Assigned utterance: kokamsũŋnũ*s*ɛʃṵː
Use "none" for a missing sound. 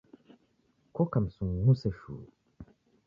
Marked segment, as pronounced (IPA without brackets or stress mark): s